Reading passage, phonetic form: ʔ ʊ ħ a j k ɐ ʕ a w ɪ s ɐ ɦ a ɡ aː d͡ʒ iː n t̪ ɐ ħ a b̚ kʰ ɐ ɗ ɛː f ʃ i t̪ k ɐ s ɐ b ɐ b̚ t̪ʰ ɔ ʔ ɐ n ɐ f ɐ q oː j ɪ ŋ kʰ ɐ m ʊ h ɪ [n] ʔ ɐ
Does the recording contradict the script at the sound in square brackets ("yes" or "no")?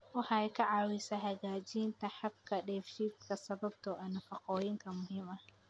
yes